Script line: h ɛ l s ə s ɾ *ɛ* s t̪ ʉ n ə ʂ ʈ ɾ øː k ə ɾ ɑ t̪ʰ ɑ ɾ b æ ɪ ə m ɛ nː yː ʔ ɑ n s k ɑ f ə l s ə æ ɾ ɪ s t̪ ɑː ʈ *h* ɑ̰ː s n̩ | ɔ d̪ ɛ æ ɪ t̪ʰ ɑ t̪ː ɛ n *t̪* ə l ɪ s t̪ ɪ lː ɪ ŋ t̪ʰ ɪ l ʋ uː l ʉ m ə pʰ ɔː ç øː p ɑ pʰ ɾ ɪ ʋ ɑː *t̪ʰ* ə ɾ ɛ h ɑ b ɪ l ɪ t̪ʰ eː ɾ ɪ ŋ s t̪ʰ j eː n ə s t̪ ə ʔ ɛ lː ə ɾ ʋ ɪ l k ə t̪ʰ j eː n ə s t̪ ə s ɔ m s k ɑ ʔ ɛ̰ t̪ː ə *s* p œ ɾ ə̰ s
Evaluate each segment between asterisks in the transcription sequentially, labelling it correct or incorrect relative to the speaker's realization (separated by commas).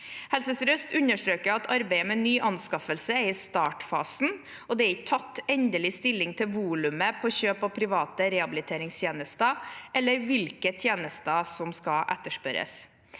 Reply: incorrect, incorrect, incorrect, incorrect, incorrect